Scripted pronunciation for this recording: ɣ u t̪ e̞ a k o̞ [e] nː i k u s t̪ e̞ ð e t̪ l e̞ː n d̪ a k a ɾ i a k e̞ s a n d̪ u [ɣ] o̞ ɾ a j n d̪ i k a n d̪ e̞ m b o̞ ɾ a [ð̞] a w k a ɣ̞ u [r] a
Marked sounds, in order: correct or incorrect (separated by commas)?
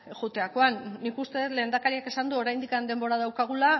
incorrect, incorrect, correct, incorrect